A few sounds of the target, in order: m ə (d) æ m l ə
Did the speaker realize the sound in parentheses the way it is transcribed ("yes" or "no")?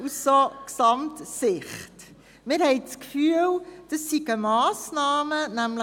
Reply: no